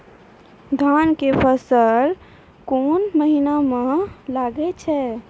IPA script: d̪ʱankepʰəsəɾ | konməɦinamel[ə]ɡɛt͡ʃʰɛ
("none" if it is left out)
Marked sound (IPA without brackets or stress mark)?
a